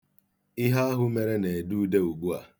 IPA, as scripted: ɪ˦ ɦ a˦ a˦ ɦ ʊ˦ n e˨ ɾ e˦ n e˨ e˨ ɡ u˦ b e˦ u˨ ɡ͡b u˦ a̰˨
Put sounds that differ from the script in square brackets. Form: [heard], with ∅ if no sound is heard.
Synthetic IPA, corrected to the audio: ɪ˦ ɦ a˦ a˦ ɦ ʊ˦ [m] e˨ ɾ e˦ n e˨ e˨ [d] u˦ [d] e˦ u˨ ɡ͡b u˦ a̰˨